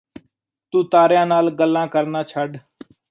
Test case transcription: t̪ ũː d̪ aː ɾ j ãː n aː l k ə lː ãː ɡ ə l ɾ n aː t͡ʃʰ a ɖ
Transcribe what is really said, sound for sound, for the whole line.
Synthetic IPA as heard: t̪ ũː t̪ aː ɾ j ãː n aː l ɡ ə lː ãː k ə ɾ n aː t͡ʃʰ ə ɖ